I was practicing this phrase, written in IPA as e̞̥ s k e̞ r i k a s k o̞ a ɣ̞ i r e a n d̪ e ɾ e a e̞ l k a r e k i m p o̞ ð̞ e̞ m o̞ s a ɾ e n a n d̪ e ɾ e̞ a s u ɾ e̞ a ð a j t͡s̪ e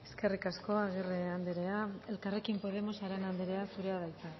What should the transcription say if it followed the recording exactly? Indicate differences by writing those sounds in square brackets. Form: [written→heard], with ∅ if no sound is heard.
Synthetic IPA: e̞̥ s k e̞ r i k a s k o̞ a ɣ̞ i r e a n d̪ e ɾ e a e̞ l k a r e k i m p o̞ ð̞ e̞ m o̞ s a ɾ e n a n d̪ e ɾ e̞ a s u ɾ e̞ a ð a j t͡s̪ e